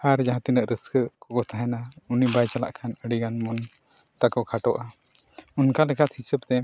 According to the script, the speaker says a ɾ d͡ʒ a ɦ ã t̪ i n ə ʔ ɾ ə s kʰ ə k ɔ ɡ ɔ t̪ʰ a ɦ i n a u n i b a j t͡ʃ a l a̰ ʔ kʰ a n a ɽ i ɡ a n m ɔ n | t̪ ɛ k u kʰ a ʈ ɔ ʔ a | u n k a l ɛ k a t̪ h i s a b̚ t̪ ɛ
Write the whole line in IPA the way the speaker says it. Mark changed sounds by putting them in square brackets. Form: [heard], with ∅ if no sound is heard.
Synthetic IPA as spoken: a ɾ d͡ʒ a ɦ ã t̪ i n ə ʔ ɾ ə s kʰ ə k ɔ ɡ ɔ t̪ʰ a ɦ [ɛ] n a u n i b a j t͡ʃ a l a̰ ʔ kʰ a n [ə] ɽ i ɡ a n m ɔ n | t̪ [a] k [ɔ] kʰ a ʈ ɔ ʔ a | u n k a l ɛ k a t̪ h i s [ə] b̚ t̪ ɛ